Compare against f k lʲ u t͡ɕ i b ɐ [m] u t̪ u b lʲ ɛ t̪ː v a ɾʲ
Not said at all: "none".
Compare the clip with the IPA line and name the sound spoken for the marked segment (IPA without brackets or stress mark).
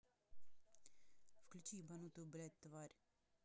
n